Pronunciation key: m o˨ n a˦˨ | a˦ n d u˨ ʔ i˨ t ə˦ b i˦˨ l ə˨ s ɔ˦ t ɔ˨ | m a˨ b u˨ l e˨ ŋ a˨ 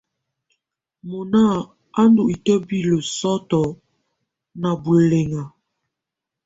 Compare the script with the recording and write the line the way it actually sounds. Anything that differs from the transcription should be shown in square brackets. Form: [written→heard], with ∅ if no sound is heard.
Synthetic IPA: m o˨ n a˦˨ | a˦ n d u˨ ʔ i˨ t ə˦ b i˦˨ l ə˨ s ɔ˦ t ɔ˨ | [m→n] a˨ b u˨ l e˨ ŋ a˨